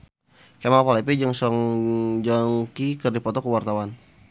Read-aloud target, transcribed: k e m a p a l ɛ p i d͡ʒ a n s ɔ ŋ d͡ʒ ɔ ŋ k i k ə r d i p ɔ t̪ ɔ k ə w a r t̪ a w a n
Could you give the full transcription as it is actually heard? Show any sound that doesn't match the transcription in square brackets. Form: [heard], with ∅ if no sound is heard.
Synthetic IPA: k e m a p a l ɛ p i d͡ʒ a [ŋ] s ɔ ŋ d͡ʒ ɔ ŋ k i k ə r d i p ɔ t̪ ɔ k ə w a r t̪ a w a n